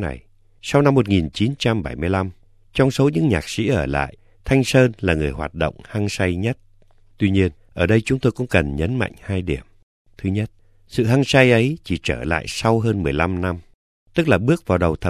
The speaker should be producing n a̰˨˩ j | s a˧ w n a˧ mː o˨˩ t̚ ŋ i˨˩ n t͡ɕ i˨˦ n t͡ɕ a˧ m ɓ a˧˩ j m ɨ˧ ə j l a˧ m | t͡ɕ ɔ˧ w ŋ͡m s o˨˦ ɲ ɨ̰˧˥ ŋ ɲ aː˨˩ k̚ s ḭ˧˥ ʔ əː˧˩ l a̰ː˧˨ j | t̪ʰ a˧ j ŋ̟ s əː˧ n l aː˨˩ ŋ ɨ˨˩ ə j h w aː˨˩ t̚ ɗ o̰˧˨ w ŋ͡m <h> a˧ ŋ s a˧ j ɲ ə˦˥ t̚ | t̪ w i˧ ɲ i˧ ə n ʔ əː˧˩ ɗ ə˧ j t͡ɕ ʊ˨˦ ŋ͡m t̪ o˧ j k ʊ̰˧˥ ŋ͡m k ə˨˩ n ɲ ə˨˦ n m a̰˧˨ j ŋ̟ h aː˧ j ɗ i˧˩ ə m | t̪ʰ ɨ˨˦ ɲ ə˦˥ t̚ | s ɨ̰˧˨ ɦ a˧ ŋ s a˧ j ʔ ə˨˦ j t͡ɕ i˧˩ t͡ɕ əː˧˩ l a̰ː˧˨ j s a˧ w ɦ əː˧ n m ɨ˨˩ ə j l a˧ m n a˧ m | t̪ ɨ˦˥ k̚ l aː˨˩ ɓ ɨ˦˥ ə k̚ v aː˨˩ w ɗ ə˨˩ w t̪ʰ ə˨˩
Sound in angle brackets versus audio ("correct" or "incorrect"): correct